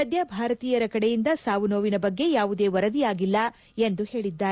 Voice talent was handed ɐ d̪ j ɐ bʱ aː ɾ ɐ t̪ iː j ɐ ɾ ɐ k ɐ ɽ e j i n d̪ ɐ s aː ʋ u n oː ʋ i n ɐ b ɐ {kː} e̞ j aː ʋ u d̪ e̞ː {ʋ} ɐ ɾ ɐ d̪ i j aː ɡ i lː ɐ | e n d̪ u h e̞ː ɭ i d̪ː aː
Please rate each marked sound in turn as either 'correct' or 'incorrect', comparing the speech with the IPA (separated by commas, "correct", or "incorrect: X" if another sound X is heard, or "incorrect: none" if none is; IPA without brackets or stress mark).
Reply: incorrect: ɡː, correct